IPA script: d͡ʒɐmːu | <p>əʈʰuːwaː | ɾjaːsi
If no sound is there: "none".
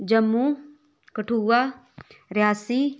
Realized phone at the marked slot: k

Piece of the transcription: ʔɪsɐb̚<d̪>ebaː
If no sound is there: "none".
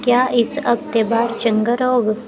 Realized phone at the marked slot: t̪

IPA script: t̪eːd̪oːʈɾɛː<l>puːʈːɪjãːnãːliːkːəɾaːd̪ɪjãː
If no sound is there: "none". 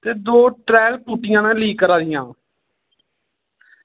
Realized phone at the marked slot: l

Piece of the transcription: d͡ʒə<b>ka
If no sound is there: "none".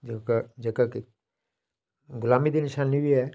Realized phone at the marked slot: none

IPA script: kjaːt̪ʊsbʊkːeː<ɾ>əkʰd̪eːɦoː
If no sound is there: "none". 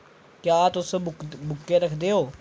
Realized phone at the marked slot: ɾ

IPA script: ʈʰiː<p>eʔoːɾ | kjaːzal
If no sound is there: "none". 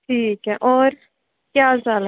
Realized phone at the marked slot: k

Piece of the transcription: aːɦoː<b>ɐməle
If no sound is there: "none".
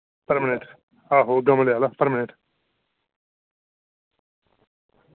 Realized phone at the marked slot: ɡ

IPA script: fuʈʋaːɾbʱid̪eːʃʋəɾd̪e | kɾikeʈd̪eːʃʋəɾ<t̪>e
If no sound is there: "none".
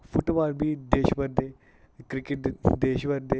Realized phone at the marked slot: d̪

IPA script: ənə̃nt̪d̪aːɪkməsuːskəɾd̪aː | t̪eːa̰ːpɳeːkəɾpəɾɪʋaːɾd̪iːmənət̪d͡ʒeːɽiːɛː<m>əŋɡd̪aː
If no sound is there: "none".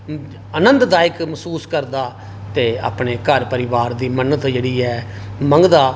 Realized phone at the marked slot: m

